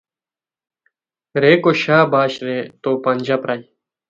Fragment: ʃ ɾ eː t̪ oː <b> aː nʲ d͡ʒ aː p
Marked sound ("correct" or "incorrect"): incorrect